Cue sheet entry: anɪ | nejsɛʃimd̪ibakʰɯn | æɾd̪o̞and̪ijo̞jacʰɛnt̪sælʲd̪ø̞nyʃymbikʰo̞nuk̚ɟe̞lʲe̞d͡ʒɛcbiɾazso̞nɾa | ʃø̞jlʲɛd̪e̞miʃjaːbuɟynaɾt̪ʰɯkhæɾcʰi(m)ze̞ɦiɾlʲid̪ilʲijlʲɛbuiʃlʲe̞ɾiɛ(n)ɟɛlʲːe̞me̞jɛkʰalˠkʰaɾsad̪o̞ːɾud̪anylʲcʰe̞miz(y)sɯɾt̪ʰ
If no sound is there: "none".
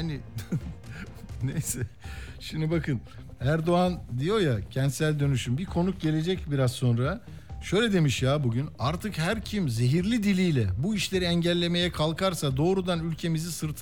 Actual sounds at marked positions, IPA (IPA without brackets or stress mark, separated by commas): m, ɲ, i